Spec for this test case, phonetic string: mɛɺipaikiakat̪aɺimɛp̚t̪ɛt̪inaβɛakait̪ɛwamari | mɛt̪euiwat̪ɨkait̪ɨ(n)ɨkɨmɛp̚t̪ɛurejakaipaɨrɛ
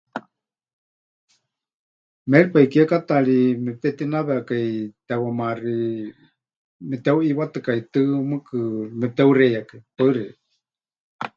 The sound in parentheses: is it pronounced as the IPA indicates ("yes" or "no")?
no